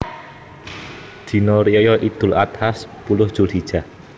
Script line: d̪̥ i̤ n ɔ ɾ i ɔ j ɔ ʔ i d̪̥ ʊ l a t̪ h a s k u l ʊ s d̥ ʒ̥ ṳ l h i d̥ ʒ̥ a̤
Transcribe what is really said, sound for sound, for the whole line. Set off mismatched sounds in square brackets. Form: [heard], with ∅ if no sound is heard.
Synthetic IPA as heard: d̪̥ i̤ n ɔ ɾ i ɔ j ɔ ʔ i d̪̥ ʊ l a t̪ h a s [p] u l ʊ [h] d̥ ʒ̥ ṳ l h i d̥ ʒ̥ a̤